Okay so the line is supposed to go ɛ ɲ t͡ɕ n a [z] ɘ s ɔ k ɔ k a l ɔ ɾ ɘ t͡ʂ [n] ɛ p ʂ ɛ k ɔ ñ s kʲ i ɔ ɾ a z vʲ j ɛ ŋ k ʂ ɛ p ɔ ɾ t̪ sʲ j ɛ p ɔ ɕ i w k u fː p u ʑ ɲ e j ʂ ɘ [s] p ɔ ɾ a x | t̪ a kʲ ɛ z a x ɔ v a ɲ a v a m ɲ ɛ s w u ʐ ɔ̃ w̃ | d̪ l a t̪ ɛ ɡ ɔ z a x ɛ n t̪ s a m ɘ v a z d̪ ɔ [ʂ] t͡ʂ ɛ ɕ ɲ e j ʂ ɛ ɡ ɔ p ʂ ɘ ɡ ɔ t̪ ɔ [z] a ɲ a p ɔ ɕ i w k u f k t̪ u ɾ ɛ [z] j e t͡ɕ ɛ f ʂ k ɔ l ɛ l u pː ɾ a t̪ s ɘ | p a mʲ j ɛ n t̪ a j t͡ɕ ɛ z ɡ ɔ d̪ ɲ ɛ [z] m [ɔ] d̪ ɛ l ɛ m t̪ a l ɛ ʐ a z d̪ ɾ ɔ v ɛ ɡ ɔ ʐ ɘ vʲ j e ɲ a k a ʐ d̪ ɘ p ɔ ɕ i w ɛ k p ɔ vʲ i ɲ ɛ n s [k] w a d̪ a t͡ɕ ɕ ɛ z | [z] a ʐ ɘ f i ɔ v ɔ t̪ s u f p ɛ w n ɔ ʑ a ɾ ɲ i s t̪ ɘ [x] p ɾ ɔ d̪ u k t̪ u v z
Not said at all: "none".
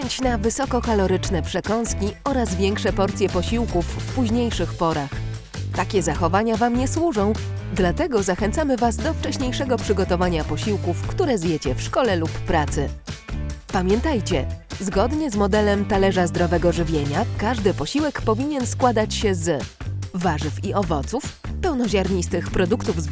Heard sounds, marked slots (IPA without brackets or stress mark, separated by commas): v, n, x, f, v, z, z, ɔ, k, v, x